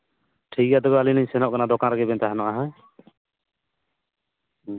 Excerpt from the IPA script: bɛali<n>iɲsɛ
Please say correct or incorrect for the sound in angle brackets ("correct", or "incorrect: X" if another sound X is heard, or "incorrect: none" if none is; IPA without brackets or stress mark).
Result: correct